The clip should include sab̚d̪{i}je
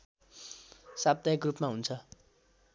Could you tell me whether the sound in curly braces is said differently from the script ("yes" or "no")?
yes